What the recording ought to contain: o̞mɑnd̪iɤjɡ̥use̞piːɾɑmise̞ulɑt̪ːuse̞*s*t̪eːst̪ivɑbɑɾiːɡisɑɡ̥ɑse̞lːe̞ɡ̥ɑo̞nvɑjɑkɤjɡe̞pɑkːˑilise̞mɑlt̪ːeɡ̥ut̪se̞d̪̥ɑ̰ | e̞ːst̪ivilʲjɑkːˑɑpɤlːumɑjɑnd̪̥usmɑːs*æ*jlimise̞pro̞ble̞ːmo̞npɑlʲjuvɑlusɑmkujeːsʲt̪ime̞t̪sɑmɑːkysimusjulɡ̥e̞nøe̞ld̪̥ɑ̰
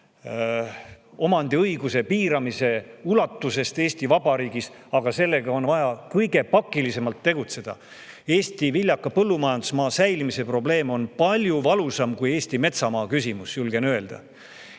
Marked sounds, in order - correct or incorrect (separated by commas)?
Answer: correct, correct